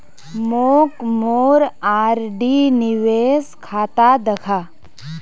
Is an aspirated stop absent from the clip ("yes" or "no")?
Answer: no